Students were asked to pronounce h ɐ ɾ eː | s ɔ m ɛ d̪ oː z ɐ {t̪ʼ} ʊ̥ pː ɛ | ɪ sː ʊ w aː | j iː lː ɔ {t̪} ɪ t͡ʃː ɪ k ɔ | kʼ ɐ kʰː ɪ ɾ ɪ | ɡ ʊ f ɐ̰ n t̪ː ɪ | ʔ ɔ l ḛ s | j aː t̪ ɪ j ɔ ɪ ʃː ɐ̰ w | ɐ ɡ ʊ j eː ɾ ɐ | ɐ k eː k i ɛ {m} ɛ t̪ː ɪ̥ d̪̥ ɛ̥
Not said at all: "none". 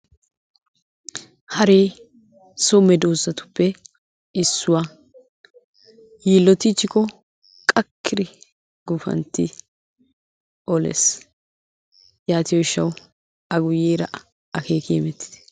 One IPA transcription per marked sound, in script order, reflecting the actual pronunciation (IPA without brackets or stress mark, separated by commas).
t̪, t̪, m